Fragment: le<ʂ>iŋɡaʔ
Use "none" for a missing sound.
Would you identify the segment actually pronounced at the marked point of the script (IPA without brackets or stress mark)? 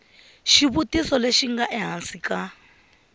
ʃ